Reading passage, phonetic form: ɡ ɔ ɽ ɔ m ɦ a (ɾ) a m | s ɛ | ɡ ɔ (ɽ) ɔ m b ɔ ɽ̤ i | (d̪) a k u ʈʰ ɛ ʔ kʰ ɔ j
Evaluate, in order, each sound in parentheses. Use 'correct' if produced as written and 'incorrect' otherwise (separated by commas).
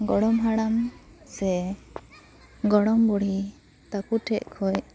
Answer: incorrect, correct, incorrect